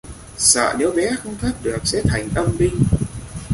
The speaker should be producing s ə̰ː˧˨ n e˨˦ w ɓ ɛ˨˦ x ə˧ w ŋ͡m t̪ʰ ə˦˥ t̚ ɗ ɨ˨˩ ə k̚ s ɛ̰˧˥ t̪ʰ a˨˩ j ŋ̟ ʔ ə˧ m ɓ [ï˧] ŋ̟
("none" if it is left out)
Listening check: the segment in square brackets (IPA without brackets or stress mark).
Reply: ï˧